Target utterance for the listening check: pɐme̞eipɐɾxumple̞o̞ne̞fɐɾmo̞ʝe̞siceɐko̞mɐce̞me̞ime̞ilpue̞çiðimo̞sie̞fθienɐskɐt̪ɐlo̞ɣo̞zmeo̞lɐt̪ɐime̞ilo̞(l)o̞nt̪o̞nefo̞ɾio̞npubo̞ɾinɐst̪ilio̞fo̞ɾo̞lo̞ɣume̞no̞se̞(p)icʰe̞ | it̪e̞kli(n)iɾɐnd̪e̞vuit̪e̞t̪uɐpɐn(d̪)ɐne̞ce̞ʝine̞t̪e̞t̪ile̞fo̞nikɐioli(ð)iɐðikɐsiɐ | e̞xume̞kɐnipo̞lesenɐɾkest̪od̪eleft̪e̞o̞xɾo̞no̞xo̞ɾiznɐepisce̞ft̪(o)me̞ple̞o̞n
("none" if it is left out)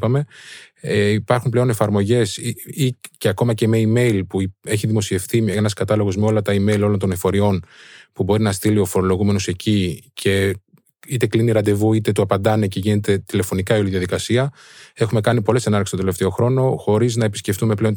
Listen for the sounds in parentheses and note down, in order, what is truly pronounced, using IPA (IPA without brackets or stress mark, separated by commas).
l, c, n, d̪, ð, u